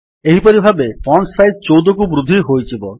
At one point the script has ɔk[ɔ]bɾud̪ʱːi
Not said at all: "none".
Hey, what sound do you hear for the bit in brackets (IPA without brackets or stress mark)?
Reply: u